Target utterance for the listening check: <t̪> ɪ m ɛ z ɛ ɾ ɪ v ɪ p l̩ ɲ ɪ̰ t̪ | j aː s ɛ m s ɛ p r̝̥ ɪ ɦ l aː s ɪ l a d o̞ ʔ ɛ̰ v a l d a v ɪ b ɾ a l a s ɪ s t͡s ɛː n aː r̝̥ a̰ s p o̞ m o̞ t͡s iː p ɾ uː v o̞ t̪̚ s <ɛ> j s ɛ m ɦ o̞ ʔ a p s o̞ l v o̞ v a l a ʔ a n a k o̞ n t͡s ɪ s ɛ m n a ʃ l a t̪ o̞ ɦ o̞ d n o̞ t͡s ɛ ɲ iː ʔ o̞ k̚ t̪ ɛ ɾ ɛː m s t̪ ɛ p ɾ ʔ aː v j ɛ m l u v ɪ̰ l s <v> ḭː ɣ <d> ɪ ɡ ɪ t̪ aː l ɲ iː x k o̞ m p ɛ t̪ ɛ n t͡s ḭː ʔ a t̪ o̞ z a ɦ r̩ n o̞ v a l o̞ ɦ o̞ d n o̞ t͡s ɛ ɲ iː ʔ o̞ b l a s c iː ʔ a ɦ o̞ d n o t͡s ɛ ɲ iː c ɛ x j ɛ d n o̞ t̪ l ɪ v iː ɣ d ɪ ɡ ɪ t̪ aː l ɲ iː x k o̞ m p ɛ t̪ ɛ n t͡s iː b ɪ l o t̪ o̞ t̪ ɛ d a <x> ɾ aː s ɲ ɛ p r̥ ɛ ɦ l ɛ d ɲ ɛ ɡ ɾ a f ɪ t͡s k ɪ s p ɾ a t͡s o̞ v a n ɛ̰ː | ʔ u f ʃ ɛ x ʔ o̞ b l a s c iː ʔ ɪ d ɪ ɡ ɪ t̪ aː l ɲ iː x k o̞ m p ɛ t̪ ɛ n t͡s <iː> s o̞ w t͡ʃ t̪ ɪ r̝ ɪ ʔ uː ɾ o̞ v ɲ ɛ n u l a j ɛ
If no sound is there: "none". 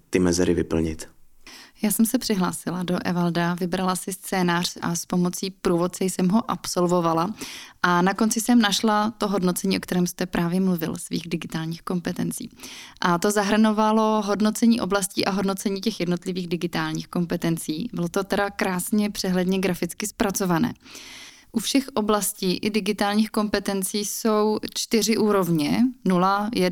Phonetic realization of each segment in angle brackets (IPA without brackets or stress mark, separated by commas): t̪, ɛ, v, d, k, iː